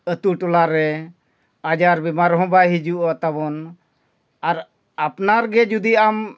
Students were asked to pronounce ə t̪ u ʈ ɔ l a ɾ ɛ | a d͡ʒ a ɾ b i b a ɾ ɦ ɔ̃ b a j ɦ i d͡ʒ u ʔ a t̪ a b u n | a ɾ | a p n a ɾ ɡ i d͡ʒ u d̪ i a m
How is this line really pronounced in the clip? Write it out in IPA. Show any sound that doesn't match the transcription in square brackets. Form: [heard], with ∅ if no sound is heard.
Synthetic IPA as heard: ə t̪ u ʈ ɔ l a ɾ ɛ | a d͡ʒ a ɾ b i [m] a ɾ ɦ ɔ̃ b a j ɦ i d͡ʒ u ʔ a t̪ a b [ɔ] n | a ɾ | a p n a ɾ ɡ [ɛ] d͡ʒ u d̪ i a m